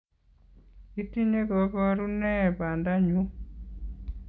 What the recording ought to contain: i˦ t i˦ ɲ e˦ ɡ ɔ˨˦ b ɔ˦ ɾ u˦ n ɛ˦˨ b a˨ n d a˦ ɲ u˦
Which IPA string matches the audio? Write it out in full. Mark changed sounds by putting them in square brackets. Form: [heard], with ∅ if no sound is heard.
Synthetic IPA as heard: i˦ t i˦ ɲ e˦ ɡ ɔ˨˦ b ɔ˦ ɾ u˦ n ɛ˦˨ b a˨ n d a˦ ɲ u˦

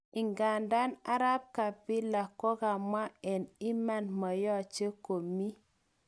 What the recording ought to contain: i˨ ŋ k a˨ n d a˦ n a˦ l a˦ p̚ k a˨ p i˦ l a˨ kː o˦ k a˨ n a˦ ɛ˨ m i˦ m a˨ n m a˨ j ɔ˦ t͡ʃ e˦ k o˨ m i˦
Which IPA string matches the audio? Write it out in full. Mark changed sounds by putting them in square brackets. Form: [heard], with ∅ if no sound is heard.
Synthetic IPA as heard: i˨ ŋ [ɡ] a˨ n d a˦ n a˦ [ɾ] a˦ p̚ k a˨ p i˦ l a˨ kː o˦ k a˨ [m] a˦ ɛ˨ [n] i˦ m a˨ n m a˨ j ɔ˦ t͡ʃ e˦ k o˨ m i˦

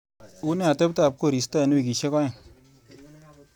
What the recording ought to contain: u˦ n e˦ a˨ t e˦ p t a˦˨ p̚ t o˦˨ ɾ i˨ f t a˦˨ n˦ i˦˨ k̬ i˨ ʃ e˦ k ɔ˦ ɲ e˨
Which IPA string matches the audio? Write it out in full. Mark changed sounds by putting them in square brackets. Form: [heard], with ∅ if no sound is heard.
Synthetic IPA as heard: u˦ n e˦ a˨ t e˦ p t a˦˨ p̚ [k] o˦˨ ɾ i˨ [s] t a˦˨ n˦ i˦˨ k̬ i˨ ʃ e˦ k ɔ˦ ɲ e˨

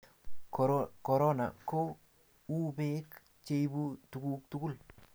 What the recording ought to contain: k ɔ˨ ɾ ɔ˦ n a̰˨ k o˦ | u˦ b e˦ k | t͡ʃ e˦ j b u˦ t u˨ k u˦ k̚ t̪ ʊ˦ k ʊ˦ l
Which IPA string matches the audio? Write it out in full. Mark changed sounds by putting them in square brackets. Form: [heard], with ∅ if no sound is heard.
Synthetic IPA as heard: k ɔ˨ ɾ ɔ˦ n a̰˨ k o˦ | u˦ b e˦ k | t͡ʃ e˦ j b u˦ t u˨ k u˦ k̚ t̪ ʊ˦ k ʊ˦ l

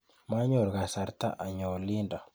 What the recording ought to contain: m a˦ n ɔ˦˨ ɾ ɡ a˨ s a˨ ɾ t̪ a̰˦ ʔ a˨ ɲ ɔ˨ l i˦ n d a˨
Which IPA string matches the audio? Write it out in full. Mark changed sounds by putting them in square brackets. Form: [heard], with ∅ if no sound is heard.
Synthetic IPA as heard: m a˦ [ɲ] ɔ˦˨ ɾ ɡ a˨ s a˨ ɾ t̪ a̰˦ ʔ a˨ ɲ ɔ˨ l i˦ n d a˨

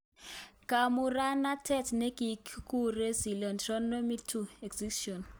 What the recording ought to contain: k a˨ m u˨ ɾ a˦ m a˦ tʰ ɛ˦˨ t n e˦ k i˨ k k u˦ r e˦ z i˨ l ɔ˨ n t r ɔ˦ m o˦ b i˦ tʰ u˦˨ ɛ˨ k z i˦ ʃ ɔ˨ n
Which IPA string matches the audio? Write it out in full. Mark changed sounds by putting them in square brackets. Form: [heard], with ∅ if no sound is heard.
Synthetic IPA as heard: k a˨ m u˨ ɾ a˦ [n] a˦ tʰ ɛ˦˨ t n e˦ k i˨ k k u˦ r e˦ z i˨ l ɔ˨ n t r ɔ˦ [n] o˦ [m] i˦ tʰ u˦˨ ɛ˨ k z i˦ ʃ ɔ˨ n

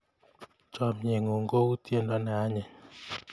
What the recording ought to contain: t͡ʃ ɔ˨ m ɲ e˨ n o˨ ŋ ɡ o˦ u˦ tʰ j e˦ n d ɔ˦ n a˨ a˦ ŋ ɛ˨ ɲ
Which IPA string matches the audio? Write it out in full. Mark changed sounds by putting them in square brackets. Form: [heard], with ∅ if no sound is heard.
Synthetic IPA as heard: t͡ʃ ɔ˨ m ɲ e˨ [ŋ] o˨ ŋ ɡ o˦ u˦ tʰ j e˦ n d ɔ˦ n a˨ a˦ [ɲ] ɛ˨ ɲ

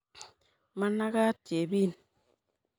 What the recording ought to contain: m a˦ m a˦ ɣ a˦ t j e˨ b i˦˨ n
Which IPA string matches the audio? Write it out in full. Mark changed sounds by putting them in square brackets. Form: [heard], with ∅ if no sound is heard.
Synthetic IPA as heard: m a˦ [n] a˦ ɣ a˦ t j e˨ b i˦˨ n

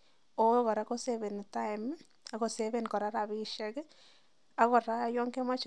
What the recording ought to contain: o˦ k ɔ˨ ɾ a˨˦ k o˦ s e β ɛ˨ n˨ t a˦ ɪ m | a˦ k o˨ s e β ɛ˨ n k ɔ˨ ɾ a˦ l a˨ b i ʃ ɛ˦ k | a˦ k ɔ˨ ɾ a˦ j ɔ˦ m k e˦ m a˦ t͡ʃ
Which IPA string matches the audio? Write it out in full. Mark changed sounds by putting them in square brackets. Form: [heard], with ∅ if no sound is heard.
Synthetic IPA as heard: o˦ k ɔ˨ ɾ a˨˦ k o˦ s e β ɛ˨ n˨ t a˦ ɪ m | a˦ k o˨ s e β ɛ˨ n k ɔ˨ ɾ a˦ [ɾ] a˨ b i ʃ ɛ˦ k | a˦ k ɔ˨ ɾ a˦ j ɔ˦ [ŋ] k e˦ m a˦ t͡ʃ

